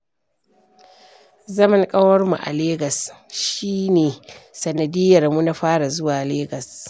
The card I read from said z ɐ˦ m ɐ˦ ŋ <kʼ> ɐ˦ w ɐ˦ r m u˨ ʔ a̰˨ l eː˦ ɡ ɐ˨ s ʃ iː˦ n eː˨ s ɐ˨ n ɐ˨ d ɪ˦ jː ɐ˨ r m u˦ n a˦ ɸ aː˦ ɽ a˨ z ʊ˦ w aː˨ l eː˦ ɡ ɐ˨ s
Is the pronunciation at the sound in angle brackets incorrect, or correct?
correct